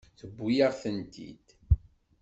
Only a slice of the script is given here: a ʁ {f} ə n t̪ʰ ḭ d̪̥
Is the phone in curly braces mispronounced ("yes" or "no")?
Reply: yes